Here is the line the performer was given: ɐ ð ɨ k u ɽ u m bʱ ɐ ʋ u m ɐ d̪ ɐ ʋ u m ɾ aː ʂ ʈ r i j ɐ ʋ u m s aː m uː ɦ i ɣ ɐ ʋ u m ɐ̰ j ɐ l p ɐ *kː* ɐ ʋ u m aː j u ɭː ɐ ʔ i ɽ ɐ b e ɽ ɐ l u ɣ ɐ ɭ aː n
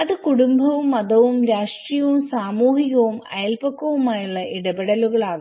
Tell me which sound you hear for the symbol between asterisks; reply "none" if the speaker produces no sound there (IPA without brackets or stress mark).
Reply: kː